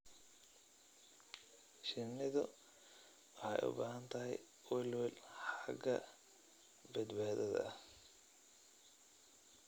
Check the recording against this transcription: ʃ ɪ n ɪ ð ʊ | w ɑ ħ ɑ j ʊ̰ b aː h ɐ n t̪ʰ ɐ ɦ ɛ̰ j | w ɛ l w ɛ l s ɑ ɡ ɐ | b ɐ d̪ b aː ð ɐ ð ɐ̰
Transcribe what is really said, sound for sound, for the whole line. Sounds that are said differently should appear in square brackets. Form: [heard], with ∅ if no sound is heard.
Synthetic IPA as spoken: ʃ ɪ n ɪ ð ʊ | w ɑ ħ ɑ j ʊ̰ b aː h ɐ n t̪ʰ ɐ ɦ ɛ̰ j | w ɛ l w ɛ l [ħ] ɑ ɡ ɐ | b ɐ d̪ b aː ð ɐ ð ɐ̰